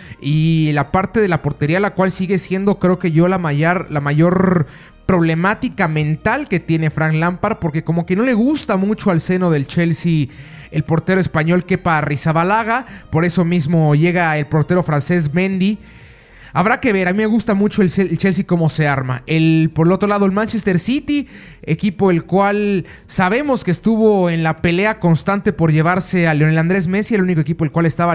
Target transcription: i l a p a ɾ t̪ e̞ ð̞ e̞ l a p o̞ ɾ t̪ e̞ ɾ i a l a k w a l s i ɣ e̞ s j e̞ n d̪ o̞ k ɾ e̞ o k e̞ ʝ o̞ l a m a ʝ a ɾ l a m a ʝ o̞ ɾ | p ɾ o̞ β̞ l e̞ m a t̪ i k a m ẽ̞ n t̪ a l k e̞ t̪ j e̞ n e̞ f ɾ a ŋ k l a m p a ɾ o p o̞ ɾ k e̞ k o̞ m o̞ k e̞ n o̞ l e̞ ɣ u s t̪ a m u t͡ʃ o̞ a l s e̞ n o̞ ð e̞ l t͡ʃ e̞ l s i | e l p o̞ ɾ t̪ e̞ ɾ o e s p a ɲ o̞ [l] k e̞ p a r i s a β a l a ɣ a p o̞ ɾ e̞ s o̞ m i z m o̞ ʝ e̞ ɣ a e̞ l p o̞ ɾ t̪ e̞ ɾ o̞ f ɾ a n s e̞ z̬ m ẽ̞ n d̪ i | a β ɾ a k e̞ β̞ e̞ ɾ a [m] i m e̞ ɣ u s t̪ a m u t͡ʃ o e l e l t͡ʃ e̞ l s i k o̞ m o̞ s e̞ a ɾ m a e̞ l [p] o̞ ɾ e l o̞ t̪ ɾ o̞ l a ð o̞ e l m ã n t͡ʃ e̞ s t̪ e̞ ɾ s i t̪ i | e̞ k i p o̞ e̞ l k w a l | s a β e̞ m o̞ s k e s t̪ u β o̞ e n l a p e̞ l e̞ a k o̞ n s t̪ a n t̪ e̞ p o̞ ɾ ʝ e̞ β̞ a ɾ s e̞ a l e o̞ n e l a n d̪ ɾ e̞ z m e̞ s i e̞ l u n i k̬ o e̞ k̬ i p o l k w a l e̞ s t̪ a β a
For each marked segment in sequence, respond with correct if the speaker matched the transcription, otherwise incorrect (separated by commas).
correct, correct, correct